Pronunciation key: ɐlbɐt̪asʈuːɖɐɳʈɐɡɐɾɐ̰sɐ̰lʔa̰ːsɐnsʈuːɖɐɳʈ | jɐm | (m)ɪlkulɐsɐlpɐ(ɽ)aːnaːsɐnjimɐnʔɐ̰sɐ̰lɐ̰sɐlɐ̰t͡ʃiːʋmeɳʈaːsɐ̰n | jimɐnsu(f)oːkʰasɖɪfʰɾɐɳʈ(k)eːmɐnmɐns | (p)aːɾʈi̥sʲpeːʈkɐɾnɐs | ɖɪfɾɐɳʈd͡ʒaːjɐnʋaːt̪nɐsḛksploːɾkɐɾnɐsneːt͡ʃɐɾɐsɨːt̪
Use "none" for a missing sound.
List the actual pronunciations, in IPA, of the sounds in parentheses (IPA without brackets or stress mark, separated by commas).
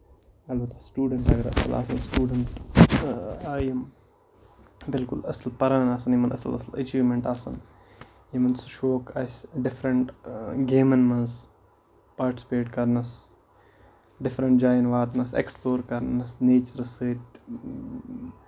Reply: b, ɾ, ʃ, ɡ, p